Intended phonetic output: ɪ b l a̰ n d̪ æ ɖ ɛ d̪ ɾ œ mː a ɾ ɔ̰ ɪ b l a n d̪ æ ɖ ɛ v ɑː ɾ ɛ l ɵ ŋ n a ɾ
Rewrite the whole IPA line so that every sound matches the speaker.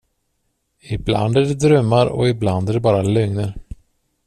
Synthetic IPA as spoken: ɪ b l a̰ n d̪ æ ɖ ɛ d̪ ɾ œ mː a ɾ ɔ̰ ɪ b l a n d̪ æ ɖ ɛ b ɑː ɾ a l ɵ ŋ n ə ɾ